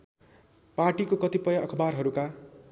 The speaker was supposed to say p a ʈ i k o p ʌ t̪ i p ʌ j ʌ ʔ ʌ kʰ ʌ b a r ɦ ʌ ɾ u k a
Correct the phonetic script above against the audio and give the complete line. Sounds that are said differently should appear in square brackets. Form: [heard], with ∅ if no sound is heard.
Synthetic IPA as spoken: p a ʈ i k o [k] ʌ t̪ i p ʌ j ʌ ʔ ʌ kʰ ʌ b a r ɦ ʌ ɾ u k a